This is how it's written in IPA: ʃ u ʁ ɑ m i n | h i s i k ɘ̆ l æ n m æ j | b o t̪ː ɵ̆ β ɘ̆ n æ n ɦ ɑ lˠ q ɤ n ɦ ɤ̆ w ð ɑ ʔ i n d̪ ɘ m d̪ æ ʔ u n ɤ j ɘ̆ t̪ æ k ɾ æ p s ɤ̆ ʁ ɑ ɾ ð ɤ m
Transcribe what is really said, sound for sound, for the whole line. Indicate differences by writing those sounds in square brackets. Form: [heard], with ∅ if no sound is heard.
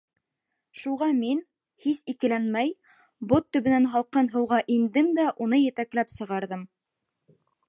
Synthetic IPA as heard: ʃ u ʁ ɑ m i n | h i s i k ɘ̆ l æ n m æ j | b o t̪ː ɵ̆ β ɘ̆ n æ n ɦ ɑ lˠ q ɤ n ɦ ɤ̆ w [ʁ] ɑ ʔ i n d̪ ɘ m d̪ æ ʔ u n ɤ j ɘ̆ t̪ æ k [l] æ p s ɤ̆ ʁ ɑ ɾ ð ɤ m

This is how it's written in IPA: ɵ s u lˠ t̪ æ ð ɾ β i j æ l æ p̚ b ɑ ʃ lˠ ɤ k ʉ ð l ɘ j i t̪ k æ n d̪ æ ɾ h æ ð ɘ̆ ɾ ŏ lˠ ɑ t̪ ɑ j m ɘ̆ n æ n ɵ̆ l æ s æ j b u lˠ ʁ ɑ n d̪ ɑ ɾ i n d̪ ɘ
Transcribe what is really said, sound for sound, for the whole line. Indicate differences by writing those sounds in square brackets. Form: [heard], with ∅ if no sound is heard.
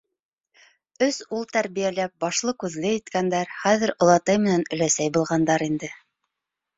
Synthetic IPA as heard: ɵ s u lˠ t̪ æ [∅] ɾ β i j æ l æ p̚ b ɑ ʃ lˠ ɤ k ʉ ð l ɘ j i t̪ k æ n d̪ æ ɾ [χ] æ ð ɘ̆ ɾ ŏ lˠ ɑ t̪ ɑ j m ɘ̆ n æ n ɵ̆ l æ s æ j b u lˠ ʁ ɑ n d̪ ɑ ɾ i n d̪ ɘ

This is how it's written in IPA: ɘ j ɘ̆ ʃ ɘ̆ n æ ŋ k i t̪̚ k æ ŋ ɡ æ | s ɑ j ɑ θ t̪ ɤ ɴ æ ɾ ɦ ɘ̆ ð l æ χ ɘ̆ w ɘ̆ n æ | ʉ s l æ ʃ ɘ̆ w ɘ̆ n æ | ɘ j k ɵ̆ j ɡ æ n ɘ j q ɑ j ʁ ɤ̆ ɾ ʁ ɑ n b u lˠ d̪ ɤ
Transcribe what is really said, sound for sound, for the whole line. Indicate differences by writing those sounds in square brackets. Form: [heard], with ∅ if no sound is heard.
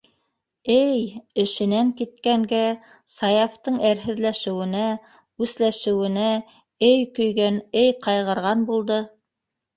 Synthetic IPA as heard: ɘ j ɘ̆ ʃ ɘ̆ n æ ŋ k i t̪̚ k æ ŋ ɡ æ | s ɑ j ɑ [f] t̪ ɤ ɴ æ ɾ ɦ ɘ̆ ð l æ [ʃ] ɘ̆ w ɘ̆ n æ | ʉ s l æ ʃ ɘ̆ w ɘ̆ n æ | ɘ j k ɵ̆ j ɡ æ n ɘ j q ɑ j ʁ ɤ̆ ɾ ʁ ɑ n b u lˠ d̪ ɤ

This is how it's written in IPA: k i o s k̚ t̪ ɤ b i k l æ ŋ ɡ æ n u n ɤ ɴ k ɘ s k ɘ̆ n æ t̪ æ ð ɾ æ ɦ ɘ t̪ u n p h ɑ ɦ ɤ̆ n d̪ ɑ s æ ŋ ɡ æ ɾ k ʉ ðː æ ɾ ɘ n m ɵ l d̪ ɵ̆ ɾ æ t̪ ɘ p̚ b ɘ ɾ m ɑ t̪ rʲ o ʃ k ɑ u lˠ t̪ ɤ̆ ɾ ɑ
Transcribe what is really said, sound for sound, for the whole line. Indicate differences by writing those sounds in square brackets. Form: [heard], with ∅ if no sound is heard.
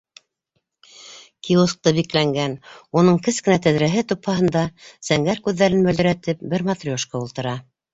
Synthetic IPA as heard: k i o s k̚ t̪ ɤ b i k l æ ŋ ɡ æ n u n ɤ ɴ k ɘ s k ɘ̆ n æ t̪ æ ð ɾ æ ɦ ɘ t̪ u [∅] p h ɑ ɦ ɤ̆ n d̪ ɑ s æ ŋ ɡ æ ɾ k ʉ ðː æ ɾ ɘ n m ɵ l d̪ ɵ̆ ɾ æ t̪ ɘ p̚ b ɘ ɾ m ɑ t̪ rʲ o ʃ k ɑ u lˠ t̪ ɤ̆ ɾ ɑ

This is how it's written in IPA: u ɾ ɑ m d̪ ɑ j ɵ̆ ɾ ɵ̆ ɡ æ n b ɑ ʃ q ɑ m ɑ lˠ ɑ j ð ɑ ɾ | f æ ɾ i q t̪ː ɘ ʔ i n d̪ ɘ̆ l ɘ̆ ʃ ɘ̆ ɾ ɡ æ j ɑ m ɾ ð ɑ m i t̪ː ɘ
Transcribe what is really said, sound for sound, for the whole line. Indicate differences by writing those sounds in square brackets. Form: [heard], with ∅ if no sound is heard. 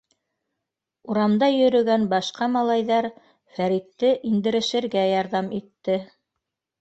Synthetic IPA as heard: u ɾ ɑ m d̪ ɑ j ɵ̆ ɾ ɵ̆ ɡ æ n b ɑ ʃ q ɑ m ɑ lˠ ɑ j ð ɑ ɾ | f æ ɾ i [∅] t̪ː ɘ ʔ i n d̪ ɘ̆ [ɾ] ɘ̆ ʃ ɘ̆ ɾ ɡ æ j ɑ [∅] ɾ ð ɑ m i t̪ː ɘ

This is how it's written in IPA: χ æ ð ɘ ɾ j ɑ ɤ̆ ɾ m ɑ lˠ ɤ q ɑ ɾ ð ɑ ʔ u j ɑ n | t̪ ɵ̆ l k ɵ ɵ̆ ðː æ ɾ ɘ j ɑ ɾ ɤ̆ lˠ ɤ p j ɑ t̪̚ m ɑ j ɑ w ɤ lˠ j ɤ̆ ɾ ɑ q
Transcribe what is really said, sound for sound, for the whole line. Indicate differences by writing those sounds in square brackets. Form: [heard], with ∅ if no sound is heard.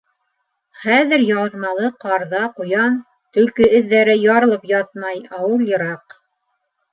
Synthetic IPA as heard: χ æ ð ɘ ɾ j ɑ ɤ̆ ɾ m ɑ lˠ ɤ q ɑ ɾ ð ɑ [q] u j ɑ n | t̪ ɵ̆ l k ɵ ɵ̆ ðː æ ɾ ɘ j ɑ ɾ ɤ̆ lˠ ɤ p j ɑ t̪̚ m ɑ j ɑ w ɤ lˠ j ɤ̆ ɾ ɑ q

